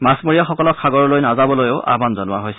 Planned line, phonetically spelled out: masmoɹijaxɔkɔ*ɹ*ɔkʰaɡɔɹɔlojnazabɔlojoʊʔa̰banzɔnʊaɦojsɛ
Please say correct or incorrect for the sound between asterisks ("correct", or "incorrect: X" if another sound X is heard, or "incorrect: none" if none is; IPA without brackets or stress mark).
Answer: incorrect: l